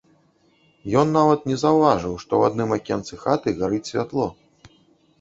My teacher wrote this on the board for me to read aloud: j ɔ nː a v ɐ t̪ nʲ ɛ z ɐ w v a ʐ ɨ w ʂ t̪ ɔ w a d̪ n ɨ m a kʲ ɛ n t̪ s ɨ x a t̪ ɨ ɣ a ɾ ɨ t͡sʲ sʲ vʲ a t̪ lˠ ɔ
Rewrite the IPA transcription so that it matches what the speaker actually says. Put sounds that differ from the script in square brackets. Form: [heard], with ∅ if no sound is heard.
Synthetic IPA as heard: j ɔ nː a v ɐ t̪ nʲ ɛ z ɐ w v a ʐ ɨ w ʂ t̪ ɔ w a d̪ n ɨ m a kʲ ɛ n t̪ s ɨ x a t̪ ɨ ɣ a ɾ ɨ t͡sʲ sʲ vʲ a t̪ lˠ ɔ